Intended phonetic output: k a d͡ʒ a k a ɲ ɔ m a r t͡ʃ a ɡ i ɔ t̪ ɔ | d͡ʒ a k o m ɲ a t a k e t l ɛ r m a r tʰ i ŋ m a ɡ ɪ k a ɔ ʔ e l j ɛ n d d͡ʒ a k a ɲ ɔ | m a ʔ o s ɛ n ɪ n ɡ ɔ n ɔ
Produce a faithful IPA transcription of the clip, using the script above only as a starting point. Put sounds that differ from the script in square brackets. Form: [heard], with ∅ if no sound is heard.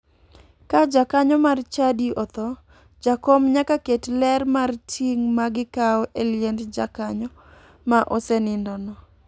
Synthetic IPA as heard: k a d͡ʒ a k a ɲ ɔ m a r t͡ʃ a [d] i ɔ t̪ ɔ | d͡ʒ a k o m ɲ a [k] a k e t l ɛ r m a r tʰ i ŋ m a ɡ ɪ k a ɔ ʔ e l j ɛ n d d͡ʒ a k a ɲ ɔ | m a ʔ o s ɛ n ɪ n [d] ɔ n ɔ

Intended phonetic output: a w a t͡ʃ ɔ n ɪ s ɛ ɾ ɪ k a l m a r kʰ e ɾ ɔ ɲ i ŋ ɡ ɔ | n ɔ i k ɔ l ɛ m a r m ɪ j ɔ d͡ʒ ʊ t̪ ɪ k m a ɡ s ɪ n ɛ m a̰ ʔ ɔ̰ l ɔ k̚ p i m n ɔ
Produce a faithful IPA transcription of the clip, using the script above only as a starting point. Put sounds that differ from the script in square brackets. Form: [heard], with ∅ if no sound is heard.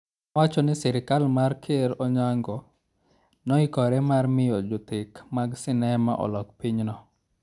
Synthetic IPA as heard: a w a t͡ʃ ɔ n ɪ s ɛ ɾ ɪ k a l m a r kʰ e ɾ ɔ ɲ [a] ŋ ɡ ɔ | n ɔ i k ɔ [ɾ] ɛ m a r m ɪ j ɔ d͡ʒ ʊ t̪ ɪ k m a ɡ s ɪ n ɛ m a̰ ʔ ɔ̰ l ɔ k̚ p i [ɲ] n ɔ

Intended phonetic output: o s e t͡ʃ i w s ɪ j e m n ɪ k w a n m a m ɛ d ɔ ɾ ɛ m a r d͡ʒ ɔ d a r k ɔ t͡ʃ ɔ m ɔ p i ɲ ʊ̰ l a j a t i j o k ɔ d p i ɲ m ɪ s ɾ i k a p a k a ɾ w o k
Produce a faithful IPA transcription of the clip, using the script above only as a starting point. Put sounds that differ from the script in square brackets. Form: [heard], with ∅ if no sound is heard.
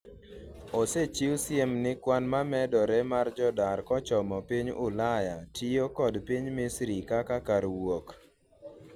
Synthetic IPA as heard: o s e t͡ʃ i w s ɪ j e m n ɪ k w a n m a m ɛ d ɔ ɾ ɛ m a r d͡ʒ ɔ d a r k ɔ t͡ʃ ɔ m ɔ p i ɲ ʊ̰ l a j a t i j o k ɔ d p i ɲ m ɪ s ɾ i k a [k] a k a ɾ w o k

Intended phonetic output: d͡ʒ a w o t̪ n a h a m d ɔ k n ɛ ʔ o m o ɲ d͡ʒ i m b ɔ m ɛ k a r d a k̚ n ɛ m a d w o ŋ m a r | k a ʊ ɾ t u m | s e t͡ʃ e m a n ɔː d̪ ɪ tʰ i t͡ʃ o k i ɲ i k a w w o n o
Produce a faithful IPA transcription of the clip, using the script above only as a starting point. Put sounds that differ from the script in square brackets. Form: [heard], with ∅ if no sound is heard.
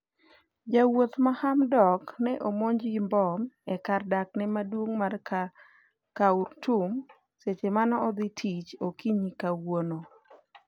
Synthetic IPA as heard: d͡ʒ a w o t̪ [m] a h a m d ɔ k n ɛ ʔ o m o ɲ d͡ʒ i m b ɔ m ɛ k a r d a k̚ n ɛ m a d w o ŋ m a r | k a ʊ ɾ t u m | s e t͡ʃ e m a n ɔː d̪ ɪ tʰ i t͡ʃ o k i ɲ i k a w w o n o

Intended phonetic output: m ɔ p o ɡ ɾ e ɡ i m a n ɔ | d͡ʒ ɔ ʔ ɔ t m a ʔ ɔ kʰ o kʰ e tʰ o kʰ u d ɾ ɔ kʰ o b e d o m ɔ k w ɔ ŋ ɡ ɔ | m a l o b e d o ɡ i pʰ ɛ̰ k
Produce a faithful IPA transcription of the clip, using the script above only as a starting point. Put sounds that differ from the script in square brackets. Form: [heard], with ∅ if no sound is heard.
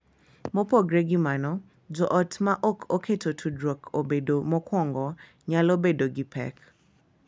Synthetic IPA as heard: m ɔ p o ɡ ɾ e ɡ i m a n ɔ | d͡ʒ ɔ ʔ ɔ t m a ʔ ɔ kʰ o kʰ e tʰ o [tʰ] u d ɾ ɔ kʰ o b e d o m ɔ k w ɔ ŋ ɡ ɔ | [ɲ] a l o b e d o ɡ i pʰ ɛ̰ k

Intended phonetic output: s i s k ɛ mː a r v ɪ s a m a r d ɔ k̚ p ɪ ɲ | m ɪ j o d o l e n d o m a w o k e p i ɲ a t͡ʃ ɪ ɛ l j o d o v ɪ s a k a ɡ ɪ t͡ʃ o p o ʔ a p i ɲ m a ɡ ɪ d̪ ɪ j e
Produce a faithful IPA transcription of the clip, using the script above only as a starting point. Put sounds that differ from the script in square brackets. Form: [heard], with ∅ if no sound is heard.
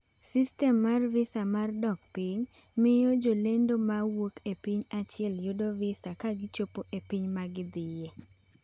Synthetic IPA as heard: s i s [t] ɛ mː a r v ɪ s a m a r d ɔ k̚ p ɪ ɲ | m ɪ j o [d͡ʒ] o l e n d o m a w o k e p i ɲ a t͡ʃ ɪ ɛ l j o d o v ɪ s a k a ɡ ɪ t͡ʃ o p o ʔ [e] p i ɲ m a ɡ ɪ d̪ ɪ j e

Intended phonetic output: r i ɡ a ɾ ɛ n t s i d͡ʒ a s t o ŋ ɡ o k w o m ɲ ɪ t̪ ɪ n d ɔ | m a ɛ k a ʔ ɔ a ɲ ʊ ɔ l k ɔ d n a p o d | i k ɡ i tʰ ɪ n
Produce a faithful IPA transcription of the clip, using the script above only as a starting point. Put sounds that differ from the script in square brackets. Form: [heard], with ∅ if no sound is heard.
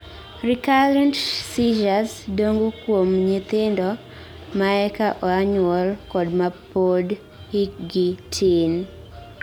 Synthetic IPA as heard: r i [k] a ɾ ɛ n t s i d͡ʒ a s [d] o ŋ ɡ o k w o m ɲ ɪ t̪ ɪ n d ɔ | m a ɛ k a ʔ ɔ a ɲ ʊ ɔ l k ɔ d [m] a p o d | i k ɡ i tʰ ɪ n

